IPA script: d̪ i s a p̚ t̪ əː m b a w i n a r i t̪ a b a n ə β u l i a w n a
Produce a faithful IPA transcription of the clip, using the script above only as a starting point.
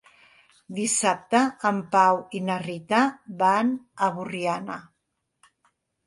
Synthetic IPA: d̪ i s a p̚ t̪ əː m p a w i n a r i t̪ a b a n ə β u r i a n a